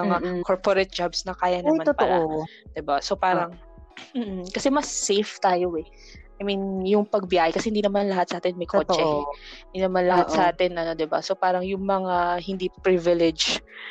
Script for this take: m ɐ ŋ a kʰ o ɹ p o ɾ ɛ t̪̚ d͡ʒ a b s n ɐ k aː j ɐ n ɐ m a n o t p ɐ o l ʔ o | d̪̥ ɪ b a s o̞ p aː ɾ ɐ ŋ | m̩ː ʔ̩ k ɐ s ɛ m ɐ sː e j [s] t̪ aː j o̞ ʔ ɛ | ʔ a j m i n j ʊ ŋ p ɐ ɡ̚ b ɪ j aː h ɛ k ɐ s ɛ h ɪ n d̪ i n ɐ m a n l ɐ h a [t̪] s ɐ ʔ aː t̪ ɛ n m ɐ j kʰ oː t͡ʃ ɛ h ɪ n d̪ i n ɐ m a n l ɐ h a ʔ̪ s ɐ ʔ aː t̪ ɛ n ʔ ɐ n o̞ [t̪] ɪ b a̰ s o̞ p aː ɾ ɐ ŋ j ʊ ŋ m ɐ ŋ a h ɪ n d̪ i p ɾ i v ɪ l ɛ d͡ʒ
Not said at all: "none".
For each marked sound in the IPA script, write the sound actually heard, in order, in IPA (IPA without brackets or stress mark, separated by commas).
f, t̪, d̪